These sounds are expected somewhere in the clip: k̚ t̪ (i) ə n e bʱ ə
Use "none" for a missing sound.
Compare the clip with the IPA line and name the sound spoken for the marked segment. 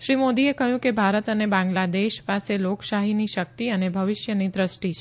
i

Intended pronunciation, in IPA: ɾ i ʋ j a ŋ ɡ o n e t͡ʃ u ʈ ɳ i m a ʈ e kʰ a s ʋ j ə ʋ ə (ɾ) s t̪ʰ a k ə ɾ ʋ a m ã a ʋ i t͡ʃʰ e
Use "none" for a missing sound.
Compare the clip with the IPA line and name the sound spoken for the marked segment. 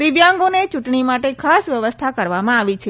none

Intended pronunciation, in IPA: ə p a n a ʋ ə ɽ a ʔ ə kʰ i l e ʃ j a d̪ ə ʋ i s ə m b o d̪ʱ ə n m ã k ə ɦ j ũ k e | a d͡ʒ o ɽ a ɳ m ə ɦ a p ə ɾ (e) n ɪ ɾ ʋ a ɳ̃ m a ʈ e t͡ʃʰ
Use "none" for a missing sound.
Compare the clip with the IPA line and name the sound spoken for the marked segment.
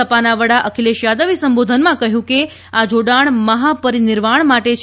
i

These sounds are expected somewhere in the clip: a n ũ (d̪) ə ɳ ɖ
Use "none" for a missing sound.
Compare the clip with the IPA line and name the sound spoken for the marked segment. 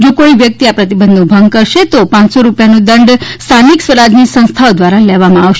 d̪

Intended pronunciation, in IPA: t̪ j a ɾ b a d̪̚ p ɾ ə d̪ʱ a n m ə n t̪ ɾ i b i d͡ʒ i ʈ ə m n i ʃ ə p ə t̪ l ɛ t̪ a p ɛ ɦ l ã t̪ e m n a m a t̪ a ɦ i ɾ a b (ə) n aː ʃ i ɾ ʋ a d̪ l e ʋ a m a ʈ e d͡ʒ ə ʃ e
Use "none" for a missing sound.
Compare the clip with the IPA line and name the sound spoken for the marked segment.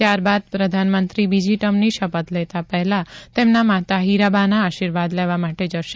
a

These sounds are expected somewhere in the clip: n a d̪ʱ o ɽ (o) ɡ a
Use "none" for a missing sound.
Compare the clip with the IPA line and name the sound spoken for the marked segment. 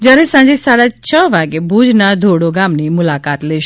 o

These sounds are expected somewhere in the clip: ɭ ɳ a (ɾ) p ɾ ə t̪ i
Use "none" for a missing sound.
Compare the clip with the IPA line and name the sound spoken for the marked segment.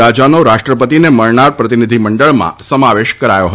ɾ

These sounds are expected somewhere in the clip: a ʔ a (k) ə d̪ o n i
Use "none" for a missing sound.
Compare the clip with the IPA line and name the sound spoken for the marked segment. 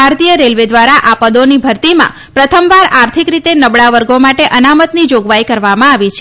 p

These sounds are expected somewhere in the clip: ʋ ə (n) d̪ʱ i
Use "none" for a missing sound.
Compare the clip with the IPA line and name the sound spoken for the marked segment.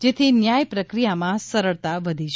none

